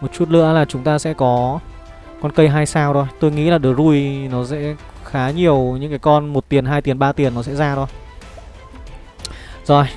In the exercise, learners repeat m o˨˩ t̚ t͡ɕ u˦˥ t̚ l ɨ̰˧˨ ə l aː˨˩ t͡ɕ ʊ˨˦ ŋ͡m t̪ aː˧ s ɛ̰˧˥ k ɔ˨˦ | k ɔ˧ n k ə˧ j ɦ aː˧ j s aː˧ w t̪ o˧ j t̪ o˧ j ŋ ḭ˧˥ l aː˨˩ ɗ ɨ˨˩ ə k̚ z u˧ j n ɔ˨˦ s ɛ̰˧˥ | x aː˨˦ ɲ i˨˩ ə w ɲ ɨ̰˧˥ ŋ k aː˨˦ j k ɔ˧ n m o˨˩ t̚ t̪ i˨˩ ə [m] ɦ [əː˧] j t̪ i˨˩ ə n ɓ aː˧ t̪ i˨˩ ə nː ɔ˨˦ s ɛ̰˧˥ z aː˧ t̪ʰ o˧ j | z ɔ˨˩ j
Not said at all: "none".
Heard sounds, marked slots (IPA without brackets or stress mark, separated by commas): n, aː˧